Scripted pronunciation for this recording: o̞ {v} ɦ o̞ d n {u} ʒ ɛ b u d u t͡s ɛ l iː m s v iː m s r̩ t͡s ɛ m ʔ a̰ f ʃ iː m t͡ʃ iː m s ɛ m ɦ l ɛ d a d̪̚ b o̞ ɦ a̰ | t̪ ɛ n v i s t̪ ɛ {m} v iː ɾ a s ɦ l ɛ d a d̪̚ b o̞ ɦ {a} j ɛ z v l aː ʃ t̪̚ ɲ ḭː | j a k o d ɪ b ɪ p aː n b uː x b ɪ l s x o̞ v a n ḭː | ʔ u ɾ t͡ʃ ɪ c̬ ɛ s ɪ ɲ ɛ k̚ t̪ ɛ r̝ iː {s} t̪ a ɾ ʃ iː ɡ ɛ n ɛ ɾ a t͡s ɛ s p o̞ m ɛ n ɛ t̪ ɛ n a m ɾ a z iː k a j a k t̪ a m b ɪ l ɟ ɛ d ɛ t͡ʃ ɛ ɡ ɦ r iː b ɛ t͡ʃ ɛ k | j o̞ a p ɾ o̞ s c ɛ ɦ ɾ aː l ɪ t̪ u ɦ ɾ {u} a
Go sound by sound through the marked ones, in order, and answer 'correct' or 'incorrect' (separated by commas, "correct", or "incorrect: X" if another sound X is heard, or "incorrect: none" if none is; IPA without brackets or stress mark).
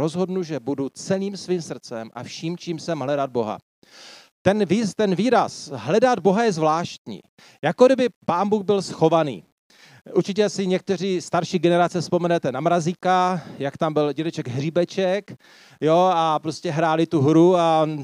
incorrect: z, correct, incorrect: n, correct, correct, correct